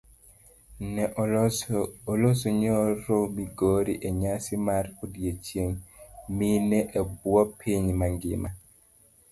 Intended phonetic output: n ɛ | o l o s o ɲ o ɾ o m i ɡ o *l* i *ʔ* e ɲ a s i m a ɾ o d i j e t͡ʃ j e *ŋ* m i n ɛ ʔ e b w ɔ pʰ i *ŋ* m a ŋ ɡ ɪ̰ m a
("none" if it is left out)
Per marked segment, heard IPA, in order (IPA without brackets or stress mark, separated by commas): ɾ, ʔ, ŋ, ɲ